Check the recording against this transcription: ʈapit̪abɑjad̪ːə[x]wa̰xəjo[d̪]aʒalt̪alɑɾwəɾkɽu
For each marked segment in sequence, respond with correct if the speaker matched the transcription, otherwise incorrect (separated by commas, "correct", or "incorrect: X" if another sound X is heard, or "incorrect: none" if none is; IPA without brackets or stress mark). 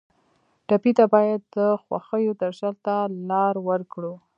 correct, correct